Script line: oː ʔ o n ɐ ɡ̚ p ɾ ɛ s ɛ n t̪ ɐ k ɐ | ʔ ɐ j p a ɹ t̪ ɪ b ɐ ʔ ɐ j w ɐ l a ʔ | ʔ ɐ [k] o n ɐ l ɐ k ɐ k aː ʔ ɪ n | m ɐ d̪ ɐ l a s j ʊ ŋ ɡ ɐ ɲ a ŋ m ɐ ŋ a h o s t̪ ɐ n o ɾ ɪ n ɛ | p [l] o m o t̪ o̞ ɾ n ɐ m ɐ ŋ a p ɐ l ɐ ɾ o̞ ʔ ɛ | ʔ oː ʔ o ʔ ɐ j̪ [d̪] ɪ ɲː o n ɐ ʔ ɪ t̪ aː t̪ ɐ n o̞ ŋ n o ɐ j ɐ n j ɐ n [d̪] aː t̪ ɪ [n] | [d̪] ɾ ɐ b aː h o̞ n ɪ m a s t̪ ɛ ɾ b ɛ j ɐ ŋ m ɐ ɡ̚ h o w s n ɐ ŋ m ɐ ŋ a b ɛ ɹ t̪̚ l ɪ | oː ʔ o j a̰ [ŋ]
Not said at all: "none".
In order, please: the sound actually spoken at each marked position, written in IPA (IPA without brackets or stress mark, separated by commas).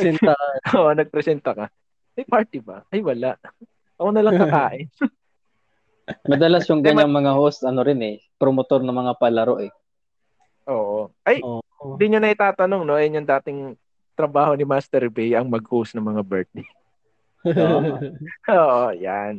k, ɾ, d̪, d̪, ŋ, t̪, n